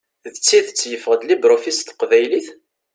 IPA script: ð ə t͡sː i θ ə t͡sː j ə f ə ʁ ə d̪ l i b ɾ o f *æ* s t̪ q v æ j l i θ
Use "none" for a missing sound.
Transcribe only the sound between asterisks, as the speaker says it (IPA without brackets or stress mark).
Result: i